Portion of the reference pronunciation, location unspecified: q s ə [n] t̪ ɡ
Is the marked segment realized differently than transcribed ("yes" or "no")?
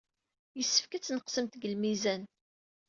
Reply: yes